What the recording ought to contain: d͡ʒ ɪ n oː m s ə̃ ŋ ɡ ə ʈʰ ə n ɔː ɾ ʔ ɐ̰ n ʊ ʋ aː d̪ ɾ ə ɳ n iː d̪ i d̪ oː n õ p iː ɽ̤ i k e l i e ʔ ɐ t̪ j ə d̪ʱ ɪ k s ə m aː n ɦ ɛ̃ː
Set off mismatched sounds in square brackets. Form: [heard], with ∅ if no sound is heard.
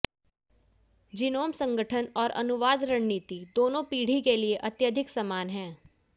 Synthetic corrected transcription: d͡ʒ ɪ n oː m s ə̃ ŋ ɡ ə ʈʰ ə n ɔː ɾ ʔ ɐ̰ n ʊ ʋ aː d̪ ɾ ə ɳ n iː [t̪] i d̪ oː n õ p iː ɽ̤ i k e l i e ʔ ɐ t̪ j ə d̪ʱ ɪ k s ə m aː n ɦ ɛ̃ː